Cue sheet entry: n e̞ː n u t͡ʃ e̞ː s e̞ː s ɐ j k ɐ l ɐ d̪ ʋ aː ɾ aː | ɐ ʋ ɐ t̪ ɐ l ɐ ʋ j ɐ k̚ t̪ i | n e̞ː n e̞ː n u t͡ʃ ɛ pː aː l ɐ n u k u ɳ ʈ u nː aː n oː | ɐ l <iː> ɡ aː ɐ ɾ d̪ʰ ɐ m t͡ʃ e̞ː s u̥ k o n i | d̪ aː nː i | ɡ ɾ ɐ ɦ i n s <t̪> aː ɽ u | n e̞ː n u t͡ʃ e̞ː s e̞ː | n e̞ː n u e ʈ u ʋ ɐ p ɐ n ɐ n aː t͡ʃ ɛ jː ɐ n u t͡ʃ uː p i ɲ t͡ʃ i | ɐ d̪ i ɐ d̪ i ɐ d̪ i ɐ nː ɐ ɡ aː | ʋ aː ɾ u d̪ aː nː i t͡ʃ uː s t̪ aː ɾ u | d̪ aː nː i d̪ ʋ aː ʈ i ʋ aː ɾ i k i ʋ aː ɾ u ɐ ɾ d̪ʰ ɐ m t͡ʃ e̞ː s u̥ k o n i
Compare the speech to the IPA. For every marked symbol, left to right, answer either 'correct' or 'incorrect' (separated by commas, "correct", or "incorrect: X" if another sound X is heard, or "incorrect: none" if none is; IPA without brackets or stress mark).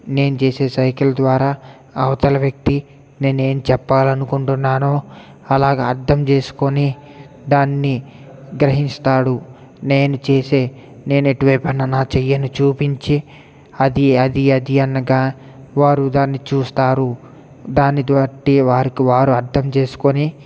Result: incorrect: aː, correct